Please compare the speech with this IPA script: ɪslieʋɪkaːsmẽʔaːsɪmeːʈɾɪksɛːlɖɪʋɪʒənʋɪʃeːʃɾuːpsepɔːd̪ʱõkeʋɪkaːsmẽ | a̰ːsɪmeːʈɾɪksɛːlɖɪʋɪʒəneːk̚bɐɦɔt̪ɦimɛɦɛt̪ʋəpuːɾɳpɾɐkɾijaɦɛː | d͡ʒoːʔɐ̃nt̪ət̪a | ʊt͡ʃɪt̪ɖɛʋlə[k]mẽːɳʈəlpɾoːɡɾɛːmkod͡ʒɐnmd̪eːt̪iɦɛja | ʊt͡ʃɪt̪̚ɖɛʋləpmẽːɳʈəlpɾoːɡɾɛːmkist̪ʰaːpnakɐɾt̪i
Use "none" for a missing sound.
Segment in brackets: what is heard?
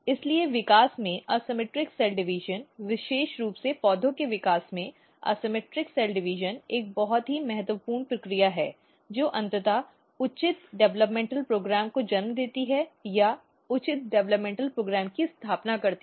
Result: p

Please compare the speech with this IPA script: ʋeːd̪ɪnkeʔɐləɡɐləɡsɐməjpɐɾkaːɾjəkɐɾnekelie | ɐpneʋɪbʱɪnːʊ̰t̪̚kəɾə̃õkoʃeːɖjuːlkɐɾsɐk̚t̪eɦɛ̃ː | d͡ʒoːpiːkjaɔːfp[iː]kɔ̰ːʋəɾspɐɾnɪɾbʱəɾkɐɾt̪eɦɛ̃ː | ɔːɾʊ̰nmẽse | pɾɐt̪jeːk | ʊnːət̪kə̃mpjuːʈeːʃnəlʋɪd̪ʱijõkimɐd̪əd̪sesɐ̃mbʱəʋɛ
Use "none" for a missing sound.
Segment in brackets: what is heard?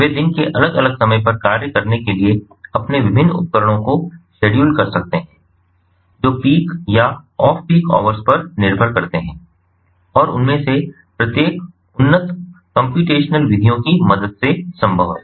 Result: iː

